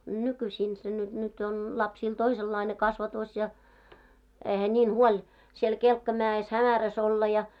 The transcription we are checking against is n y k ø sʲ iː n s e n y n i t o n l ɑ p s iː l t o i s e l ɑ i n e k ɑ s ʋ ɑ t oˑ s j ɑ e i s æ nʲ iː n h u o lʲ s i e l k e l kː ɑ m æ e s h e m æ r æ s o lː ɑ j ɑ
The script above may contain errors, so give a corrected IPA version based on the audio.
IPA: n y k y sʲ iː n s e n y n y t o n l ɑ p s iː l t o i s e lː ɑ i n e k ɑ s ʋ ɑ t oˑ s j ɑ e i h æ nʲ iː n h u o lʲ s i e l k e l kː ɑ m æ e s h æ m æ r æ s o lː ɑ j ɑ